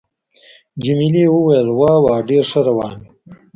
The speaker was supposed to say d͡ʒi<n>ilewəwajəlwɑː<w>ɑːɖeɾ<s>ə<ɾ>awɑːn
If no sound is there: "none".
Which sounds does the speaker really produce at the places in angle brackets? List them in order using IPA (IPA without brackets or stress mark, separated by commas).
m, w, ʂ, ɾ